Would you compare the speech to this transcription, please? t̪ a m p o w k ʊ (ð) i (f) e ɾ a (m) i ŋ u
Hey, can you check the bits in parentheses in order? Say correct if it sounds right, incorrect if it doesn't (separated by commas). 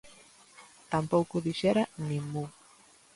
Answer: correct, incorrect, incorrect